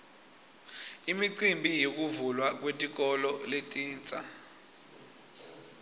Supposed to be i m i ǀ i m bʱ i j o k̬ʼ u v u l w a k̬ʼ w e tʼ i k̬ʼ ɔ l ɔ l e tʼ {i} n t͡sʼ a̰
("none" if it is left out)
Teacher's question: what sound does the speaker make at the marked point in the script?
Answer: iː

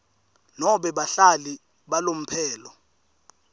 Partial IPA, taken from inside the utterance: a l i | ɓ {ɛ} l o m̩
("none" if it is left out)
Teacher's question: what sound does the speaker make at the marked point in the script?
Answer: a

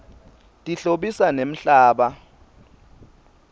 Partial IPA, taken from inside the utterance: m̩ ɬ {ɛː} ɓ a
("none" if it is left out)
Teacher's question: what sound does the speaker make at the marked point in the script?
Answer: aː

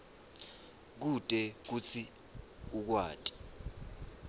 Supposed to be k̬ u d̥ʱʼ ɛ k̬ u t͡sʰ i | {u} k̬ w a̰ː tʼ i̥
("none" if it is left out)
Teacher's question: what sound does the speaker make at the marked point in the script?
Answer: u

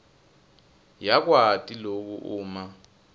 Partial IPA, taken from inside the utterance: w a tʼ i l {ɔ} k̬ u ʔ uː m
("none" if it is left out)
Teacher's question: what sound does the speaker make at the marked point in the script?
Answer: o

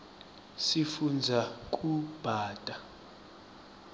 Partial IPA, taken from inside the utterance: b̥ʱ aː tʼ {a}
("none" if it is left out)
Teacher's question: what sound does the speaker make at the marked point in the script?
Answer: a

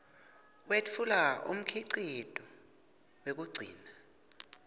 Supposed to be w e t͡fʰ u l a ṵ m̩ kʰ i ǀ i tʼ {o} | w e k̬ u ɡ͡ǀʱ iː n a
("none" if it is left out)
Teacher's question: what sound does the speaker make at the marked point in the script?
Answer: ɔ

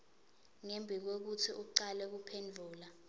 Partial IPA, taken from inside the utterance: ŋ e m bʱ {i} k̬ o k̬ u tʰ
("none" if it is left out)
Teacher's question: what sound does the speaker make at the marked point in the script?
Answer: i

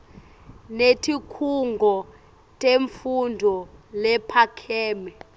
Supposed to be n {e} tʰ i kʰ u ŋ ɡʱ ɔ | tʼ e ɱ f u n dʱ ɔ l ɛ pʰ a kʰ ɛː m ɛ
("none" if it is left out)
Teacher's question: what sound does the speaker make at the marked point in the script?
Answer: e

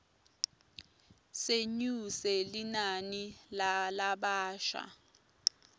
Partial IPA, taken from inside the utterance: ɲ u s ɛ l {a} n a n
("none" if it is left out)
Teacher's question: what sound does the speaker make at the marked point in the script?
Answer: i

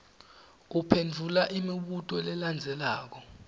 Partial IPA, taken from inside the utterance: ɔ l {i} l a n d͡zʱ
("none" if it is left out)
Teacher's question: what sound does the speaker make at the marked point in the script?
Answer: ɛ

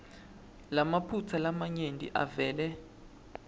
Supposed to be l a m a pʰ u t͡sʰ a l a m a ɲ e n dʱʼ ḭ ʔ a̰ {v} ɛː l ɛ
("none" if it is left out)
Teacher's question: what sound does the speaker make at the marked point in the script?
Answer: v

